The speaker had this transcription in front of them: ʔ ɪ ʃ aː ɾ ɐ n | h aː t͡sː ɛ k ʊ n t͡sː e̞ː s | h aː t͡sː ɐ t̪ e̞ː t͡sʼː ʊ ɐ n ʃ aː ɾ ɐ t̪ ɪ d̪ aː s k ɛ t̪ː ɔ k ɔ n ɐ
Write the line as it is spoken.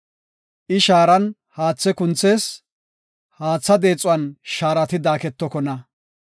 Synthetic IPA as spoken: ʔ ɪ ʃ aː ɾ ɐ n | h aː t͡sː ɛ k ʊ n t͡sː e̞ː s | h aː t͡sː ɐ d̪ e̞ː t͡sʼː ʊ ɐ n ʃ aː ɾ ɐ t̪ ɪ d̪ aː k ɛ t̪ː ɔ k ɔ n ɐ